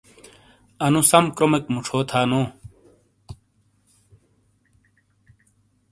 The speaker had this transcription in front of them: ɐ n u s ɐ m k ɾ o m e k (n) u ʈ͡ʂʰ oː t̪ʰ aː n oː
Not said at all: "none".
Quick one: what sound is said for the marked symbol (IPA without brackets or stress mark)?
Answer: m